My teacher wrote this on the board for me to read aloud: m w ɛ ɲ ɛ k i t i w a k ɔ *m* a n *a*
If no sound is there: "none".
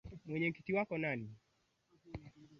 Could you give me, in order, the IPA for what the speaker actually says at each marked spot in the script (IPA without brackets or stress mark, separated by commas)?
n, i